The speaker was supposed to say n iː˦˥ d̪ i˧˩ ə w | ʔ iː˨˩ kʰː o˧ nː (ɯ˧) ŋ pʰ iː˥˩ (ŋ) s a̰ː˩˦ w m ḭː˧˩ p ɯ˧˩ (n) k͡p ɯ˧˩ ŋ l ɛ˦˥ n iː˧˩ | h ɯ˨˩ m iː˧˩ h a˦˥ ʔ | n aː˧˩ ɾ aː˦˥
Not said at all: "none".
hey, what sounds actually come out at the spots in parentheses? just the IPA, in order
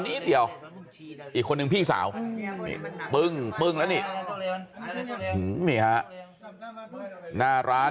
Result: ɯ˧, ŋ, ŋ

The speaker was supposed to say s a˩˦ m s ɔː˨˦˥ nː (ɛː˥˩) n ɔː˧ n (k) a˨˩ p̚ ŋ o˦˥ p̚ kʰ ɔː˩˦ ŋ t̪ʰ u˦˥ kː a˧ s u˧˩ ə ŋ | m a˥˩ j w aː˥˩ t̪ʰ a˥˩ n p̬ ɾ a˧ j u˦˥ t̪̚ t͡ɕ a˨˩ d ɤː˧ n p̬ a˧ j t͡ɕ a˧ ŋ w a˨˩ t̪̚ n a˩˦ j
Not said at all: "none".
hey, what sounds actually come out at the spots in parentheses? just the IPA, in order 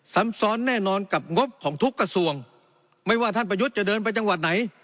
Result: ɛː˥˩, k

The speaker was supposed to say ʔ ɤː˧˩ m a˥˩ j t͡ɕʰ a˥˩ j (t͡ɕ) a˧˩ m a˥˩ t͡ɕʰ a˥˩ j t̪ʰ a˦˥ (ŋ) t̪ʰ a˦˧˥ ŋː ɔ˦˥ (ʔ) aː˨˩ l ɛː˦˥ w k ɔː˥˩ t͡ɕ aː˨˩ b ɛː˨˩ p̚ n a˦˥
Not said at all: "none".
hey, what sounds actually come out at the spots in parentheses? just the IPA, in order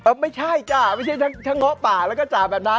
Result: t͡ɕ, ŋ, p

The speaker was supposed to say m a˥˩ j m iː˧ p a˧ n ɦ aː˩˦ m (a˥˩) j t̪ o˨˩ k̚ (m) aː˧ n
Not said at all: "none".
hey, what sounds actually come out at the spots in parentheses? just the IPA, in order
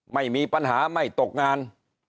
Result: a˥˩, ŋ

